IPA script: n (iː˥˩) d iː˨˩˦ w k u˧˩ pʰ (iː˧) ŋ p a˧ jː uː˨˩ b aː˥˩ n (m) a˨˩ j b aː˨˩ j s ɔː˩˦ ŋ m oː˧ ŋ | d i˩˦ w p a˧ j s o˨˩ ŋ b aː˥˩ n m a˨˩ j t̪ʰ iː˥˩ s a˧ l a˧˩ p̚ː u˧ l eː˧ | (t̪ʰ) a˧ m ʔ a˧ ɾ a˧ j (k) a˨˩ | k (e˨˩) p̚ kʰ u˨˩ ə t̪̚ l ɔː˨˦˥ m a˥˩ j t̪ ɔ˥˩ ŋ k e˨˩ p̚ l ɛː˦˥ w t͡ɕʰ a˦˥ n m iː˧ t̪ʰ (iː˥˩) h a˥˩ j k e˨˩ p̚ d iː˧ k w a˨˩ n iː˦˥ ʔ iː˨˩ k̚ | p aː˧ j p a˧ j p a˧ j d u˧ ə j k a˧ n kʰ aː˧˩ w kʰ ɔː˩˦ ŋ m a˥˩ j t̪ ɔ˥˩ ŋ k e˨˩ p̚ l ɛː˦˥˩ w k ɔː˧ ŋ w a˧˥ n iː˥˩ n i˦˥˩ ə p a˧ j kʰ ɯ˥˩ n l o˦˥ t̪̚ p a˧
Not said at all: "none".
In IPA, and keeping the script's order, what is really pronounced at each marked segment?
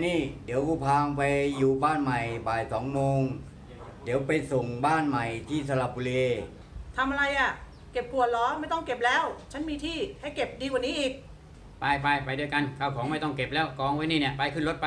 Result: iː˥˩, aː˧, m, t̪ʰ, ʔ, e˨˩, iː˥˩

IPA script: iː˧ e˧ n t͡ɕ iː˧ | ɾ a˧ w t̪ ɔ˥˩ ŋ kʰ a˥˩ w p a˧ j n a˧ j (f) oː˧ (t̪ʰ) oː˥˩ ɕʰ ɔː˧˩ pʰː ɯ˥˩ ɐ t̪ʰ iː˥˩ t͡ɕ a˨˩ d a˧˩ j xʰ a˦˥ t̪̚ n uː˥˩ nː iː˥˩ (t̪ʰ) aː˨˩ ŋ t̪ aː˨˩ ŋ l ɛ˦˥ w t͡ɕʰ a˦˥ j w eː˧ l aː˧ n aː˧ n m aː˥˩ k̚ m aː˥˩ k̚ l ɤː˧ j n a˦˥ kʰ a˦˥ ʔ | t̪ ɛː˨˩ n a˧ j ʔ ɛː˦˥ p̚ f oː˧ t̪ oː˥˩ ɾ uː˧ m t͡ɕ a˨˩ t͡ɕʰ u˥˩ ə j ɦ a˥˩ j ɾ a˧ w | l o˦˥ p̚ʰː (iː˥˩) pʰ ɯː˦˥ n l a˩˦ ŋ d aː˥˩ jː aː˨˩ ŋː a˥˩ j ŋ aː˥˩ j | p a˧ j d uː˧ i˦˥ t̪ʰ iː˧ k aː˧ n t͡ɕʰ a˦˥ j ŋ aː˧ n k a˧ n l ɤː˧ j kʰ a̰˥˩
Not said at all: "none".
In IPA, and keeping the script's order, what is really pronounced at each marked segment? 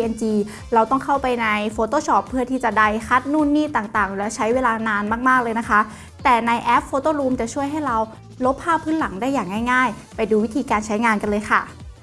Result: f, t̪, t̪, aː˥˩

